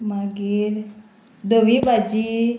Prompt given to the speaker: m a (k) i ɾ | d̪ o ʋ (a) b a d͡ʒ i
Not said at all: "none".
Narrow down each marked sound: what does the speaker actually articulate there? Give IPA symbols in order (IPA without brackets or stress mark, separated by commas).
ɡ, i